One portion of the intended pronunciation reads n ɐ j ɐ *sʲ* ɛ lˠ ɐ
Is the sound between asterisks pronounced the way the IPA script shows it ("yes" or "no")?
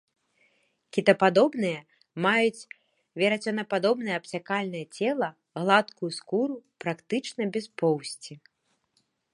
no